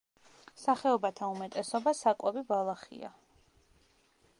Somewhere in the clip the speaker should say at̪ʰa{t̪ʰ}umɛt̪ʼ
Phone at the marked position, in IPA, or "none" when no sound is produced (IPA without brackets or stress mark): none